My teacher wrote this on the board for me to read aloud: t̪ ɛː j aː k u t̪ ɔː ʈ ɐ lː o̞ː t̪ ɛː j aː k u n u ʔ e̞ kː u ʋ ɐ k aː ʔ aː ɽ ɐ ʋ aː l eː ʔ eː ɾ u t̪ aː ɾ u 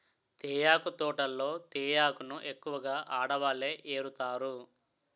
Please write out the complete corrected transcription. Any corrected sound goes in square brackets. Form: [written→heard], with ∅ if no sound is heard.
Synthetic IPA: t̪ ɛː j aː k u t̪ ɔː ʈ ɐ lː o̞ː t̪ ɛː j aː k u n u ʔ e̞ kː u ʋ ɐ [k→ɡ] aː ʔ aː ɽ ɐ ʋ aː l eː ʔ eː ɾ u t̪ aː ɾ u